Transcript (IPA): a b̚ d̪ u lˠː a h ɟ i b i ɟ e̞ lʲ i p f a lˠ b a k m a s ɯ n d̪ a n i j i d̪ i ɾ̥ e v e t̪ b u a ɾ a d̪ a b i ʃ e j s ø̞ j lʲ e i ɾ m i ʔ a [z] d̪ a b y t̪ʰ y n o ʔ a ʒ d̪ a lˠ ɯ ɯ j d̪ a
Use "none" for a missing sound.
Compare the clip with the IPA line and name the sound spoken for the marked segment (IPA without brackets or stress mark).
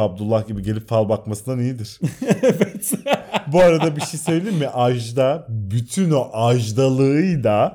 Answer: ʒ